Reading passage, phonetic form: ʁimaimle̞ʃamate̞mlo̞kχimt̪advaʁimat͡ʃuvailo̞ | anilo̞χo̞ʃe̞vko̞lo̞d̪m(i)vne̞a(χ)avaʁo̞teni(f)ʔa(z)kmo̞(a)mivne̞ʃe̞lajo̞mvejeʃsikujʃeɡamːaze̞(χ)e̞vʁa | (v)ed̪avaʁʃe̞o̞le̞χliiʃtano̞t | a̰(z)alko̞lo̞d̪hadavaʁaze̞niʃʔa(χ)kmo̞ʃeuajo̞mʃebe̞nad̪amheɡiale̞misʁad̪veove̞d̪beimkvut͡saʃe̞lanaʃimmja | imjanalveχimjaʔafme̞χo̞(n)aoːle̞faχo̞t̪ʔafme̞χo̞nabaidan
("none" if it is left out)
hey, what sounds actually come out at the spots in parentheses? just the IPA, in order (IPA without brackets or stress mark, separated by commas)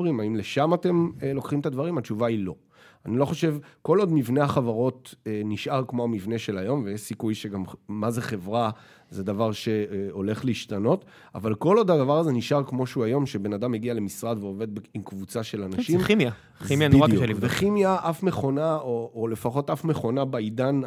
i, χ, ʃ, ʁ, a, χ, z, v, ʁ, n